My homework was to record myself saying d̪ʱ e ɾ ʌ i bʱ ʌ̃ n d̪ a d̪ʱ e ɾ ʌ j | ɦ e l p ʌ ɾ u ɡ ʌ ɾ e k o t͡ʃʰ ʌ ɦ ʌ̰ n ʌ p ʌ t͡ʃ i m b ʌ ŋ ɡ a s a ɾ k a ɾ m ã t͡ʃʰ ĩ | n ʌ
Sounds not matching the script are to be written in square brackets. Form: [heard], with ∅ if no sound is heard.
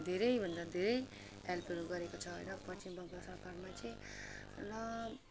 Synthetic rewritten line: d̪ʱ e ɾ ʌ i bʱ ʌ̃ n d̪ a d̪ʱ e ɾ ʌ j | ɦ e l p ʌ ɾ u ɡ ʌ ɾ e k o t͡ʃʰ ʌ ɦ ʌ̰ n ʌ p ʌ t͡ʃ i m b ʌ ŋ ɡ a s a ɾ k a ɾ m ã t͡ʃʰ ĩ | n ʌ